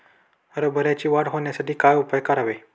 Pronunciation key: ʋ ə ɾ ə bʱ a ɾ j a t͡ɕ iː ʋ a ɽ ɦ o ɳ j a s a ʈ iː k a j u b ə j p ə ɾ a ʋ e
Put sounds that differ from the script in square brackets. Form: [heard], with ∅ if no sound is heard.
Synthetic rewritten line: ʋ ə ɾ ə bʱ [ə] ɾ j a t͡ɕ iː ʋ a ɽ ɦ o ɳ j a s a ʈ iː k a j u [p] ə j [k] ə ɾ a ʋ e